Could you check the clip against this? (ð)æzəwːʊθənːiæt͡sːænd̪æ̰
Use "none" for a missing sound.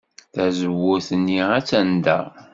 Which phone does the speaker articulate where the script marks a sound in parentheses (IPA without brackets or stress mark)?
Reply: θ